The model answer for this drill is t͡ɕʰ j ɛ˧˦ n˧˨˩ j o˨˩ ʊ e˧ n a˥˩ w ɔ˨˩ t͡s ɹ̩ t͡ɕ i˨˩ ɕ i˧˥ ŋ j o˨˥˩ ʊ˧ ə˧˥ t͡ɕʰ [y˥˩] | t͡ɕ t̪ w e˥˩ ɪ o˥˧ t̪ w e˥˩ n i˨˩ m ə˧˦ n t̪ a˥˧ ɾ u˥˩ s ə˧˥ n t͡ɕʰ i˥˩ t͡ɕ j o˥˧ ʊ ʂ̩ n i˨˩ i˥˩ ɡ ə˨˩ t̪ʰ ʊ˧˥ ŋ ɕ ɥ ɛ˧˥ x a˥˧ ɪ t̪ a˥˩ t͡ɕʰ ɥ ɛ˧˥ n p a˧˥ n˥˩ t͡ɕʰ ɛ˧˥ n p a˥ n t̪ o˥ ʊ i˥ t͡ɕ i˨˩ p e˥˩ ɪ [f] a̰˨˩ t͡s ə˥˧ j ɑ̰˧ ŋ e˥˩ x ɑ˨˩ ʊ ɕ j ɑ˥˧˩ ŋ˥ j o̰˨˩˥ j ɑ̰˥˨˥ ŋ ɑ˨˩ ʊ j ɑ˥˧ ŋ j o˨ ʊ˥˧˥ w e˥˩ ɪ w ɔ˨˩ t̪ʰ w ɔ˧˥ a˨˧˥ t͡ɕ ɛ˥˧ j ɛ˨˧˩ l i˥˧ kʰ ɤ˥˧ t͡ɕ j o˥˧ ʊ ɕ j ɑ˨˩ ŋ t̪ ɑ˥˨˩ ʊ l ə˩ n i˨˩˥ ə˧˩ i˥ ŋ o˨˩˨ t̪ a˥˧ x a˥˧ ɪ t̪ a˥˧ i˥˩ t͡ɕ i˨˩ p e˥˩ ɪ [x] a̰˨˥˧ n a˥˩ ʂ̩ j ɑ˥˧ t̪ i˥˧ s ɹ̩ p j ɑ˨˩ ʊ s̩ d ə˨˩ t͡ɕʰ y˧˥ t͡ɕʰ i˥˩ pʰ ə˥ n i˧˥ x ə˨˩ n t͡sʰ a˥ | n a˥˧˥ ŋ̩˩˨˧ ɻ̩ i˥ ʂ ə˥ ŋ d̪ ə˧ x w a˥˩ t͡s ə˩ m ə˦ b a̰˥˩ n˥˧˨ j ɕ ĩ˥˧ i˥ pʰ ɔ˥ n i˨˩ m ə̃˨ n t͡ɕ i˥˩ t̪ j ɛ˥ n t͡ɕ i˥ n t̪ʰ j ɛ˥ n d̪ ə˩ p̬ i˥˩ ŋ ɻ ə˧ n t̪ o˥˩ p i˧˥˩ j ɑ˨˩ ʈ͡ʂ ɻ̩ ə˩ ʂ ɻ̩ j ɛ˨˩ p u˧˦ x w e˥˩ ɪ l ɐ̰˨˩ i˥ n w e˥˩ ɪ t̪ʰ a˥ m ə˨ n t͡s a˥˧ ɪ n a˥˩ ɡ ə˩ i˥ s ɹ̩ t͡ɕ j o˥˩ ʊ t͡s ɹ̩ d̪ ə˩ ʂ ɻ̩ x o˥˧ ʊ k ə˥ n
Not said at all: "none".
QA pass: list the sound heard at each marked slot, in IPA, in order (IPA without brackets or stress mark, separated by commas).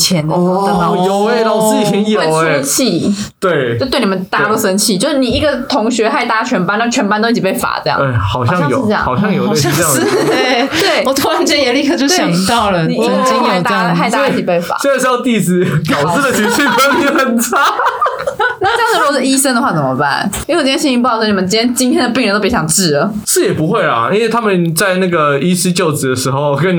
i˥˩, f, f